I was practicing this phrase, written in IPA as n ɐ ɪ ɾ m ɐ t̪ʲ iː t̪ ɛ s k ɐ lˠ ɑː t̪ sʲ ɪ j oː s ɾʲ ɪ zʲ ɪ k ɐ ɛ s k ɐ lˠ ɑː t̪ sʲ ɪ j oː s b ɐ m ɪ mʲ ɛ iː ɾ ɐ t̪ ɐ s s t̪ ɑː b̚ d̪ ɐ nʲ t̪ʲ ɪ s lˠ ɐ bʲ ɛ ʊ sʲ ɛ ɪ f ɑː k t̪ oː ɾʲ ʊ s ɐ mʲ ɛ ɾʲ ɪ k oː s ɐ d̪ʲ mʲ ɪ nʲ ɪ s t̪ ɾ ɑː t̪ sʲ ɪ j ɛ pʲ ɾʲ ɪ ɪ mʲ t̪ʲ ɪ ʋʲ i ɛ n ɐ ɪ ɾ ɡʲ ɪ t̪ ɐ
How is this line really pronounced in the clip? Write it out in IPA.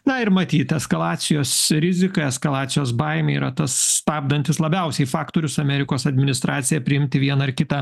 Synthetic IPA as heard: n ɐ ɪ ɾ m ɐ t̪ʲ iː t̪ ɛ s k ɐ lˠ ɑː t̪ sʲ ɪ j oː s ɾʲ ɪ zʲ ɪ k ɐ ɛ s k ɐ lˠ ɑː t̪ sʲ ɪ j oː s b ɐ ɪ mʲ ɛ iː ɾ ɐ t̪ ɐ s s t̪ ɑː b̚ d̪ ɐ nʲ t̪ʲ ɪ s lˠ ɐ bʲ ɛ ʊ sʲ ɛ ɪ f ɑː k t̪ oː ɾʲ ʊ s ɐ mʲ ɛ ɾʲ ɪ k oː s ɐ d̪ʲ mʲ ɪ nʲ ɪ s t̪ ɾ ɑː t̪ sʲ ɪ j ɛ pʲ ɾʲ ɪ ɪ mʲ t̪ʲ ɪ ʋʲ i ɛ n ɐ ɪ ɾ kʲ ɪ t̪ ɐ